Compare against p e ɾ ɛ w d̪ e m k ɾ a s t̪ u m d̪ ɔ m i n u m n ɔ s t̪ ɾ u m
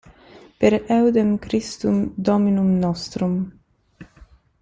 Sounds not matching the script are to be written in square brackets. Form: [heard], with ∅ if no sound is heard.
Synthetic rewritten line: p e ɾ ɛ w d̪ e m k ɾ [i] s t̪ u m d̪ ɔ m i n u m n ɔ s t̪ ɾ u m